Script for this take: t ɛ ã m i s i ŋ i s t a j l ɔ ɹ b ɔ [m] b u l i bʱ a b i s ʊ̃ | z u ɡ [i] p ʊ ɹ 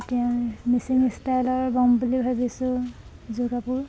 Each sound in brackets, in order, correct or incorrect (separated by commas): correct, incorrect